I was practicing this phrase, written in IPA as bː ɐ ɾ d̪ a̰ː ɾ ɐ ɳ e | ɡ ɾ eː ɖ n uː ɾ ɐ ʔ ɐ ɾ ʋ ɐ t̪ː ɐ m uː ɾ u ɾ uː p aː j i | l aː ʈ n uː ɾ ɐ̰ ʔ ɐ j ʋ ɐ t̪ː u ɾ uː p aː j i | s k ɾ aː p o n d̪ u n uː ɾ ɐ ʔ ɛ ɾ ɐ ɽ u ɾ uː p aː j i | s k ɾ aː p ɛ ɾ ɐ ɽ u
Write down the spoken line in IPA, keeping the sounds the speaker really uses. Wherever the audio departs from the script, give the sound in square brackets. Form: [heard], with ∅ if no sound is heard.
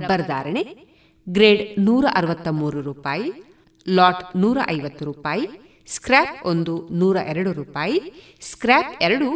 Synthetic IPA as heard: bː ɐ ɾ d̪ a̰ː ɾ ɐ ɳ e | ɡ ɾ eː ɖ n uː ɾ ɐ ʔ ɐ ɾ ʋ ɐ t̪ː ɐ m uː ɾ u ɾ uː p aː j i | l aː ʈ n uː ɾ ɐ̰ ʔ ɐ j ʋ ɐ t̪ː u ɾ uː p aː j i | s k ɾ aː p o n d̪ u n uː ɾ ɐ ʔ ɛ ɾ ɐ ɽ u ɾ uː p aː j i | s k ɾ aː p ɛ ɾ ɐ ɽ u